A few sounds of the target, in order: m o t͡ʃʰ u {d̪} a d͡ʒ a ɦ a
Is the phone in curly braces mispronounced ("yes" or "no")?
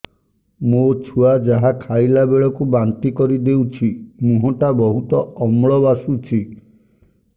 yes